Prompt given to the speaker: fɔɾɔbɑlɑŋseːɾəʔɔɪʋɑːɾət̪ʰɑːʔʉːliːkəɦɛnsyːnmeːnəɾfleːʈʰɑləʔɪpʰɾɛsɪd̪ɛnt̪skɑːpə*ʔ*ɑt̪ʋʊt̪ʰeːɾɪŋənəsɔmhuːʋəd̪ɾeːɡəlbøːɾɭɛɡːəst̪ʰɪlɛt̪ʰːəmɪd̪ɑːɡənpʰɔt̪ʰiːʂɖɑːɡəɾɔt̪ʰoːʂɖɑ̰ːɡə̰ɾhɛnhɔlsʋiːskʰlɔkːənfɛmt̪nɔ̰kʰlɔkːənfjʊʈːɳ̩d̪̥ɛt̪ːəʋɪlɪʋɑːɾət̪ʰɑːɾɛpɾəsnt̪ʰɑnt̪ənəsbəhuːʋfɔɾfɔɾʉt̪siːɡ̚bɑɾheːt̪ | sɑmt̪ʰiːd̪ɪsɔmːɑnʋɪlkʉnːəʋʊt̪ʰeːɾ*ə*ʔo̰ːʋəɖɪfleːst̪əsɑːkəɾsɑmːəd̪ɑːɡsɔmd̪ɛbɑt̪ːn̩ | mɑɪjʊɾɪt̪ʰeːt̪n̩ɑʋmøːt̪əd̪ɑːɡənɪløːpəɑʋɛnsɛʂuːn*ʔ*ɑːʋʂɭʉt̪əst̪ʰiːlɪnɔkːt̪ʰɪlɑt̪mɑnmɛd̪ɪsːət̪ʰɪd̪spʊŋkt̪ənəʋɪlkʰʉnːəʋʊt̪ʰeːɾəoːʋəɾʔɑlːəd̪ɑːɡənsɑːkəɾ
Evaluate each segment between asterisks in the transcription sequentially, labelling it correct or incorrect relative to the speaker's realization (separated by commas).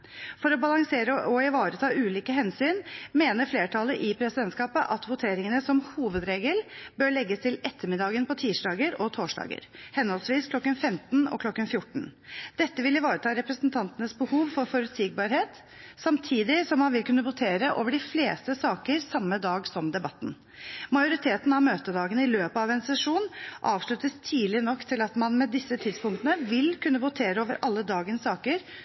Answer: correct, correct, correct